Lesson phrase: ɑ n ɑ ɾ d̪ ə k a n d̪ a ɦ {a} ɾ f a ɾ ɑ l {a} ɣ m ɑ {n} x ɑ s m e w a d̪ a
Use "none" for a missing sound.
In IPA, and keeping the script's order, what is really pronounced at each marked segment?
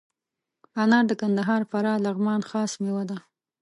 ɑ, a, n

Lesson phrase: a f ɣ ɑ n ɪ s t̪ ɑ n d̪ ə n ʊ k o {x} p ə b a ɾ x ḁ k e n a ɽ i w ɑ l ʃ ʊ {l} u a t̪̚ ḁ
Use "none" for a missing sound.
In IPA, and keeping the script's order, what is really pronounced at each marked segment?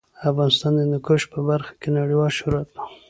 ʃ, ɾ

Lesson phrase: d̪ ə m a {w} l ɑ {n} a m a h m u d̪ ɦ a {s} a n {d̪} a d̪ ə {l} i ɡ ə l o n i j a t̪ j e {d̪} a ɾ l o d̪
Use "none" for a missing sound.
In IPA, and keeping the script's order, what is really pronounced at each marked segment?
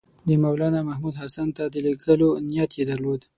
w, n, s, t̪, l, d̪

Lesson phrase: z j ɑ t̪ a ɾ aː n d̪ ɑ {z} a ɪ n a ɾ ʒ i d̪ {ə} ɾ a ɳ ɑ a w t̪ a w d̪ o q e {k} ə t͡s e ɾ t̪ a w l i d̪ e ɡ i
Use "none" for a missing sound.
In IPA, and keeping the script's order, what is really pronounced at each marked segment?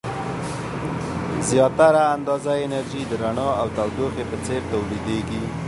z, ə, p

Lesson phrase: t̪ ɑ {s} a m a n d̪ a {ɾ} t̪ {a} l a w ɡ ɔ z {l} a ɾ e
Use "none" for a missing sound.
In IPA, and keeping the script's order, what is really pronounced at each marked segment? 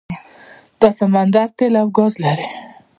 s, ɾ, e, l

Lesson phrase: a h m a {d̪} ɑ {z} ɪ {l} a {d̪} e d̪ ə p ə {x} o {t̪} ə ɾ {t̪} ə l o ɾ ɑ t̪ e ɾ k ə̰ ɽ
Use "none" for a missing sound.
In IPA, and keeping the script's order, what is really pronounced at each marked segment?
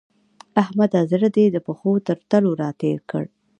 d̪, z, ɾ, d̪, x, t̪, t̪

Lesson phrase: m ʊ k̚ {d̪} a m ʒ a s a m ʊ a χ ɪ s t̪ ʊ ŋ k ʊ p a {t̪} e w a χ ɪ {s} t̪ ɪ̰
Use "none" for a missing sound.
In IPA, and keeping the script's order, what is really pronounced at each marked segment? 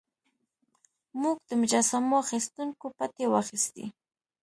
t̪, t̪, s

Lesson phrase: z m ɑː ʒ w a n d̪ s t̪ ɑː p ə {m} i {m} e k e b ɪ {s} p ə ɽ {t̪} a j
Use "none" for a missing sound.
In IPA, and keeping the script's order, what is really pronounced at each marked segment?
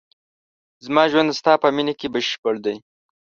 m, n, ʃ, d̪

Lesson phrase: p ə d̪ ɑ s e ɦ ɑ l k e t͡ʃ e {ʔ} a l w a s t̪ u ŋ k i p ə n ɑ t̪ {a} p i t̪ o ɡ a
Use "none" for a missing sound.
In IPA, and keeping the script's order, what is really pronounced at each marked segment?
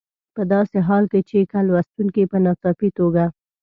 k, ɑ

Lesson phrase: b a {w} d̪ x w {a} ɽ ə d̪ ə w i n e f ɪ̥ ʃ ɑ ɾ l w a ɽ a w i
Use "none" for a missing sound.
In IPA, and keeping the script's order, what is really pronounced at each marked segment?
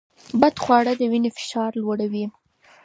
none, ɑ

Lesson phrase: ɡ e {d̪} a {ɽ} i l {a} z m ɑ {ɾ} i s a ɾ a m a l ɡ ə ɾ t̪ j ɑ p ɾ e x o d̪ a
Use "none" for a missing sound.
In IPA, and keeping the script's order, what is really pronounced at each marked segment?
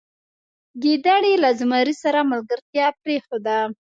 d̪, ɽ, a, ɾ

